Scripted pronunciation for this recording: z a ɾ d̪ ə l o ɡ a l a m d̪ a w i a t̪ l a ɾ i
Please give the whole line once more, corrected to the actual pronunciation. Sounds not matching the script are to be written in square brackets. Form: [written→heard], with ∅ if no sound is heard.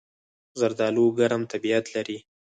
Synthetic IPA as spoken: z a ɾ d̪ [ə→ɑ] l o ɡ a [l→ɾ] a m [d̪→t̪] a [w→b] i a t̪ l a ɾ i